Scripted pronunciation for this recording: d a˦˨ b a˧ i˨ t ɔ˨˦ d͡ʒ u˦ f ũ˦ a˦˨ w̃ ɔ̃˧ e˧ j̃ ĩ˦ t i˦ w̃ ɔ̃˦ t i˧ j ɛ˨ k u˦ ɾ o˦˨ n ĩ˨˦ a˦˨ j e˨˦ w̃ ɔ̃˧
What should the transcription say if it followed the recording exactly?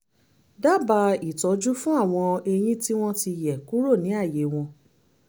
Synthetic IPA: d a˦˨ b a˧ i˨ t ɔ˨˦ d͡ʒ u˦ f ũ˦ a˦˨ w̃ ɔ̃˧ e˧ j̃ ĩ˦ t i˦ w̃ ɔ̃˦ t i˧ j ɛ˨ k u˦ ɾ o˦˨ n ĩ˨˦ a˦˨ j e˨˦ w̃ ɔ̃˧